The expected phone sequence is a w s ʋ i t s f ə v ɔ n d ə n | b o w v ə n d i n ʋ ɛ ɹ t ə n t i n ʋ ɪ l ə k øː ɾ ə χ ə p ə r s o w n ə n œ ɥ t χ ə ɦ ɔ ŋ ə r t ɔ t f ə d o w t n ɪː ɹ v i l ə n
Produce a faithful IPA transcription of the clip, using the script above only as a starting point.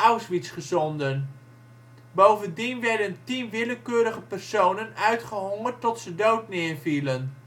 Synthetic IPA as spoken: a w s ʋ i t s χ ə z ɔ n d ə n | b o w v ə n d i n ʋ ɛ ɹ d ə n t i n ʋ ɪ l ə k øː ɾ ə χ ə p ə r s o w n ə n œ ɥ t χ ə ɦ ɔ ŋ ə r t ɔ t s ə d o w t n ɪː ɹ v i l ə n